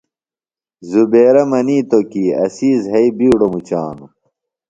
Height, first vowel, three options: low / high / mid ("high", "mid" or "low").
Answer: high